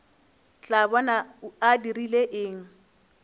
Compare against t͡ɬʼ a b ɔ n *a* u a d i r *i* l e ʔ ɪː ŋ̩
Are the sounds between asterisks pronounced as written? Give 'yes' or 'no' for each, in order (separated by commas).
yes, yes